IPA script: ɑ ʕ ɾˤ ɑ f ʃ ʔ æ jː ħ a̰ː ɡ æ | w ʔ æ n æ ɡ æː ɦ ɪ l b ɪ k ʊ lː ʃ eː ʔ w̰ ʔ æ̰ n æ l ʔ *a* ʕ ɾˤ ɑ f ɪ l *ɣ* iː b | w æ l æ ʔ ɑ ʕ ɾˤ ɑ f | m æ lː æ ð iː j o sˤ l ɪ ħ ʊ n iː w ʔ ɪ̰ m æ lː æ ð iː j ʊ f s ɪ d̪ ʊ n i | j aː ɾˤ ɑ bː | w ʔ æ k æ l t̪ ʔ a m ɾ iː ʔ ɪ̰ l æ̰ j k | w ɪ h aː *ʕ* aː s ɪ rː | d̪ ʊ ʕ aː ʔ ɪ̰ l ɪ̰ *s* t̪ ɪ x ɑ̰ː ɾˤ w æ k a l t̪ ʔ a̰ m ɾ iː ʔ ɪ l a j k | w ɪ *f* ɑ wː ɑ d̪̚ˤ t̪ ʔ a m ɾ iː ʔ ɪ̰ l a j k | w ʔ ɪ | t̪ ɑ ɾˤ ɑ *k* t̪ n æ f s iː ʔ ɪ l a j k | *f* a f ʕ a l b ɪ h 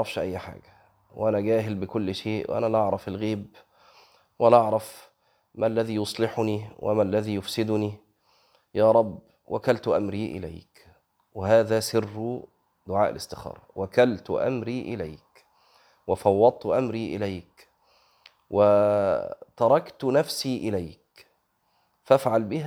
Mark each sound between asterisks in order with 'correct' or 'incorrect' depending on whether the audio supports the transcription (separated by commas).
incorrect, correct, incorrect, correct, correct, correct, correct